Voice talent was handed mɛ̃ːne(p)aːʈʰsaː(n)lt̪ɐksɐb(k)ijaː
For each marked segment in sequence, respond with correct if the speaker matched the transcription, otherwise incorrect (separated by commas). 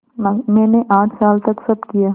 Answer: incorrect, incorrect, correct